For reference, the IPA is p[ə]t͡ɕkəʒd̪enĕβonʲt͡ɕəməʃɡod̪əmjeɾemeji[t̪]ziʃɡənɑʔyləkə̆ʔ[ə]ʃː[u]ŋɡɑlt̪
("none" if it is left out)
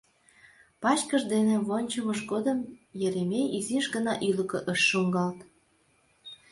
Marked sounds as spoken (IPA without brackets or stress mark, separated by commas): ɑ, none, ə, u